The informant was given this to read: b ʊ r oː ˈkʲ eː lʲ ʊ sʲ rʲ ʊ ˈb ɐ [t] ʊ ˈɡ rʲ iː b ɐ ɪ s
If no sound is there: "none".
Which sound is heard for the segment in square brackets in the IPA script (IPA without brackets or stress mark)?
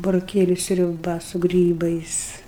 s